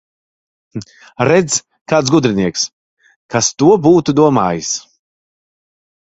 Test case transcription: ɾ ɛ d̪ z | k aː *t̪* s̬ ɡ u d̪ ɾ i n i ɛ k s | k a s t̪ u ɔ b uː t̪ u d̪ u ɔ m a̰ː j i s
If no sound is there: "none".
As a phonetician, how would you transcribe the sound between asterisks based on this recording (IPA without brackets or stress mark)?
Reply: t̪